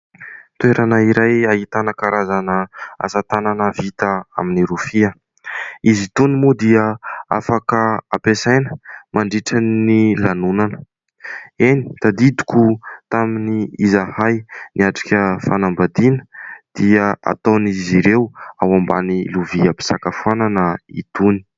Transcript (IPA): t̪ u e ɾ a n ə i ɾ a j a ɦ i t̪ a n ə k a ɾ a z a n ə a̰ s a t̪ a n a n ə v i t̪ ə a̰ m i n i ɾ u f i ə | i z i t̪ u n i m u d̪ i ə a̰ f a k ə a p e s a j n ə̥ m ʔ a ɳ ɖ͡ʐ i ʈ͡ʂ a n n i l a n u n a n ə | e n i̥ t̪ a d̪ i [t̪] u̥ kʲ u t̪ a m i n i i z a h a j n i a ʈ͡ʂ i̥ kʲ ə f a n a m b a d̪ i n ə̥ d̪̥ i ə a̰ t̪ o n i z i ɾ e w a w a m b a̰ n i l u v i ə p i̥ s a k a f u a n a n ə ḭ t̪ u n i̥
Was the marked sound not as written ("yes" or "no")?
yes